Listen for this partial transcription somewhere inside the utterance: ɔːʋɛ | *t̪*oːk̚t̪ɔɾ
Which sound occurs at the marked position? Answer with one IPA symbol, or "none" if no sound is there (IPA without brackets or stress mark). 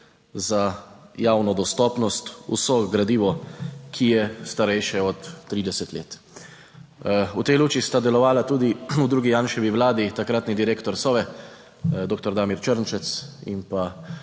d̪